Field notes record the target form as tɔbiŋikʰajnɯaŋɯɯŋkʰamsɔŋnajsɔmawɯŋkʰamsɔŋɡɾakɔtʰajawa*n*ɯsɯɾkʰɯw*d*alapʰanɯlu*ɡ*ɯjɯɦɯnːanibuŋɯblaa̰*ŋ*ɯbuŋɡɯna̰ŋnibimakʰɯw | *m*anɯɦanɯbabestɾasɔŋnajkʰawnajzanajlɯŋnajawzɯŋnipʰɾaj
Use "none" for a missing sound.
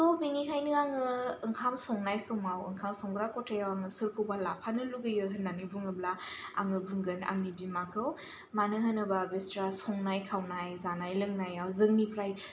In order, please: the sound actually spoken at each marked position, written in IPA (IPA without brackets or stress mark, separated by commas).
ŋ, b, ɡ, ŋ, m